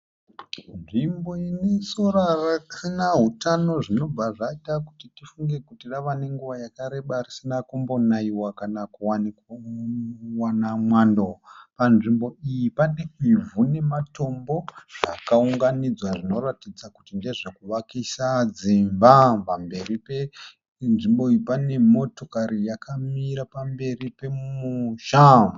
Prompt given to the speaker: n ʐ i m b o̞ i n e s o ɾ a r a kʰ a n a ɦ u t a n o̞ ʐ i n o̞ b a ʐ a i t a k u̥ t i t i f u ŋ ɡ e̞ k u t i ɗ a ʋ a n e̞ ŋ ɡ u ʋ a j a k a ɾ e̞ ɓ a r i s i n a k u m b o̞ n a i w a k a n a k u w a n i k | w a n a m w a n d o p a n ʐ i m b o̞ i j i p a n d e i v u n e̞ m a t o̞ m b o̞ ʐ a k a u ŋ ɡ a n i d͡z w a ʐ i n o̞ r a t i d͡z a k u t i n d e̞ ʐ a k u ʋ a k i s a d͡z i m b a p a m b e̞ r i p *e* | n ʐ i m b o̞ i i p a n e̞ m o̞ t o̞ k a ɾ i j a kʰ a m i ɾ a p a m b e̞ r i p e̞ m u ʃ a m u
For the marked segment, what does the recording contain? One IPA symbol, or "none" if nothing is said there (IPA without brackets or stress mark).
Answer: e